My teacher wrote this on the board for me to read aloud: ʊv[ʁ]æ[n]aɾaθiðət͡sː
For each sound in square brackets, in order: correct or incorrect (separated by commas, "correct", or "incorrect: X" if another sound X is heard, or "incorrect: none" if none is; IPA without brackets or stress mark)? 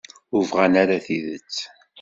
correct, correct